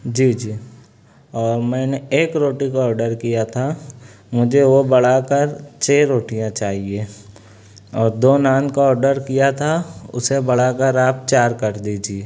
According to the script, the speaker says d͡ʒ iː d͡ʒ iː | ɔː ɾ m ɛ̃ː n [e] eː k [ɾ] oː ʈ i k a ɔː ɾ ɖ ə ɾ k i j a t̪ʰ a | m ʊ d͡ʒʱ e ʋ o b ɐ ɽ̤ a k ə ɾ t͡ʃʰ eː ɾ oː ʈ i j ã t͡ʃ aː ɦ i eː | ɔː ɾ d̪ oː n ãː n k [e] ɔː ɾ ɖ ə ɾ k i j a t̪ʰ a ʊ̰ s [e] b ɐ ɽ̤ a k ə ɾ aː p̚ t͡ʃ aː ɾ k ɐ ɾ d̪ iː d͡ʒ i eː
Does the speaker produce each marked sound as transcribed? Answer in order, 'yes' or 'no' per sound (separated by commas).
yes, yes, no, yes